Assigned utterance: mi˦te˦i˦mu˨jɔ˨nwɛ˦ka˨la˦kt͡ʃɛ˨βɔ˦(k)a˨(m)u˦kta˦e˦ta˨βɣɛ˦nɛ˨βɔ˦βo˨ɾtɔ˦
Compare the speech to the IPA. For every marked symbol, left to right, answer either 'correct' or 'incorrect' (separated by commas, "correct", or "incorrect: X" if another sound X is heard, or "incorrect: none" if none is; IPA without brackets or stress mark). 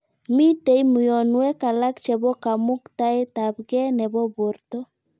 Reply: correct, correct